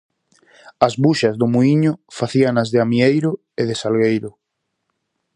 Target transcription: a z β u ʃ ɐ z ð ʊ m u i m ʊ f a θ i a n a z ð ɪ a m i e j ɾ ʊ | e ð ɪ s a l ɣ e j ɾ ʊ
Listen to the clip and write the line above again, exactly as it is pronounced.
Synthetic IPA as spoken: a z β u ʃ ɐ z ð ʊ m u i ɲ ʊ f a θ i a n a z ð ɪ a m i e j ɾ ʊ | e ð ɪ s a l ɣ e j ɾ ʊ